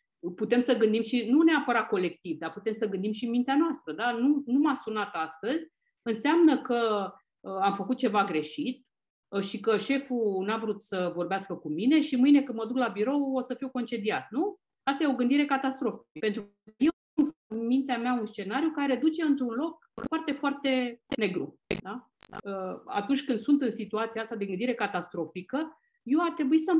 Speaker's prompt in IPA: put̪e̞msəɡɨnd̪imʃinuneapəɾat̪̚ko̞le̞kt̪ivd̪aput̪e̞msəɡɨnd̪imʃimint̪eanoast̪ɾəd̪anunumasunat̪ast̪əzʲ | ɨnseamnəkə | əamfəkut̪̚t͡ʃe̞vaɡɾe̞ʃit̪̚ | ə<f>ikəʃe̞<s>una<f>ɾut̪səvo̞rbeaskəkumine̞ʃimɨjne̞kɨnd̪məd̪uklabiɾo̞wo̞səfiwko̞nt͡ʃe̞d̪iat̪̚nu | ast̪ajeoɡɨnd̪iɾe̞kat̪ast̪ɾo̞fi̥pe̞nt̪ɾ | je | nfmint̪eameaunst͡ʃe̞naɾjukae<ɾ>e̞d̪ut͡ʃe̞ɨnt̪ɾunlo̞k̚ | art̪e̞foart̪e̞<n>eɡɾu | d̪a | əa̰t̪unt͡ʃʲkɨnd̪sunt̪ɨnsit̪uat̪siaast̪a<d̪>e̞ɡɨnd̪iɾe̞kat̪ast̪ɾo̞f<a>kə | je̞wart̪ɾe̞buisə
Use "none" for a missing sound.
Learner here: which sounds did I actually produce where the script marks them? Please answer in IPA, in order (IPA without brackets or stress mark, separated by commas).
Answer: ʃ, f, v, ɾ, n, d̪, i